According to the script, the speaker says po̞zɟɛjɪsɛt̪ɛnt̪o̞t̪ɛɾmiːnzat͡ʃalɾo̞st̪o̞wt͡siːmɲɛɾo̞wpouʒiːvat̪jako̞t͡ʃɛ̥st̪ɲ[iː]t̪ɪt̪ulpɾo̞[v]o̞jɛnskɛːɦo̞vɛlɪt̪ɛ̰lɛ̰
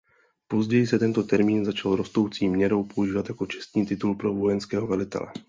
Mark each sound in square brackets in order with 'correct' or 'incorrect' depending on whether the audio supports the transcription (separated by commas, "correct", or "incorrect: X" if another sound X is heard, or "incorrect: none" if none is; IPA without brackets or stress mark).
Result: correct, correct